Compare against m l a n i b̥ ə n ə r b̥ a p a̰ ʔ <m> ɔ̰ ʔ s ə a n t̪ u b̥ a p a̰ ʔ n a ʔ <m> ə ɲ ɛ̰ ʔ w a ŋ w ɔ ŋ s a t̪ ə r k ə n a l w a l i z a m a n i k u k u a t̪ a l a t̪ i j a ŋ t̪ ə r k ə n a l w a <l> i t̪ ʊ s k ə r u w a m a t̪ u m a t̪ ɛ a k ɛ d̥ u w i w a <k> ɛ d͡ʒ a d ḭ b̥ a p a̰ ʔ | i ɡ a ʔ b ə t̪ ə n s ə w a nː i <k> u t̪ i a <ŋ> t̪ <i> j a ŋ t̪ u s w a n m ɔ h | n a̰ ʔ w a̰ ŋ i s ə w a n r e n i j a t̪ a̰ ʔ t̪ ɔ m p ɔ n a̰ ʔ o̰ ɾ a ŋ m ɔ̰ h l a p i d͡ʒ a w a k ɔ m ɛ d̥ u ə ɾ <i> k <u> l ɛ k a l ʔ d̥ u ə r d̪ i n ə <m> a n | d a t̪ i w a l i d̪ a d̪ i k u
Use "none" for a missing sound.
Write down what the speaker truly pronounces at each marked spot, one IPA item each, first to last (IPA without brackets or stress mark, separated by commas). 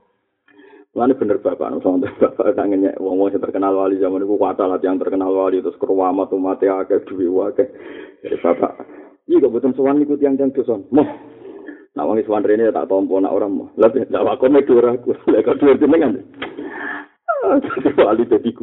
n, ŋ, l, k, k, ŋ, i, a, u, ŋ